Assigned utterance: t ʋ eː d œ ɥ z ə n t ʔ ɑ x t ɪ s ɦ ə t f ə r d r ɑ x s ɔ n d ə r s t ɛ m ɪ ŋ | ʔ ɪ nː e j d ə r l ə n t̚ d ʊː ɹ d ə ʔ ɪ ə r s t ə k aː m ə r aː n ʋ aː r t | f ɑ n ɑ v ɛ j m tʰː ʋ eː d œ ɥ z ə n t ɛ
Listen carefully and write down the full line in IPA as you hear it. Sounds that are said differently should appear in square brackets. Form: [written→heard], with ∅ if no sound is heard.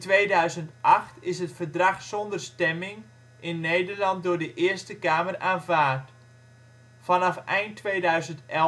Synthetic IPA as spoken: t ʋ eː d œ ɥ z ə n t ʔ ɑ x t ɪ s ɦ ə t f ə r d r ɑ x s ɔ n d ə r s t ɛ m ɪ ŋ | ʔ ɪ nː e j d ə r l [ə→ɑ] n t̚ d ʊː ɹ d ə ʔ ɪ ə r s t ə k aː m ə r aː n [ʋ→v] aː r t | f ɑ n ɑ [v→f] ɛ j [m→n] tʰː ʋ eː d œ ɥ z ə n t ɛ